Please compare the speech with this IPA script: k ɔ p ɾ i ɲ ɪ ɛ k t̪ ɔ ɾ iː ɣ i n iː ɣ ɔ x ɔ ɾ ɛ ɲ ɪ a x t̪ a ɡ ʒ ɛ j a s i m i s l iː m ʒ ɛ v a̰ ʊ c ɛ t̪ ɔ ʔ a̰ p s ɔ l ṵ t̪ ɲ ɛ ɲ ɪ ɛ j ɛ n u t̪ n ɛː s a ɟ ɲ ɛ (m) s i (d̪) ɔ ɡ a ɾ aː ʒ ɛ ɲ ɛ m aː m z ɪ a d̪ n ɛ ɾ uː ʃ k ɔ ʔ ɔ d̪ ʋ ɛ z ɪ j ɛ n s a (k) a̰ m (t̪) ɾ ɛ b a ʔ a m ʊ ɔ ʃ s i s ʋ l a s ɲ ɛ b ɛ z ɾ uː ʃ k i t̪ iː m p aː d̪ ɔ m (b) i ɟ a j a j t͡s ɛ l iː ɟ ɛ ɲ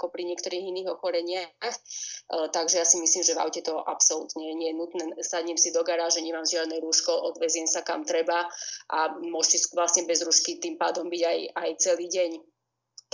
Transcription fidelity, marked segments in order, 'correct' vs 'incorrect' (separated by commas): correct, correct, correct, correct, correct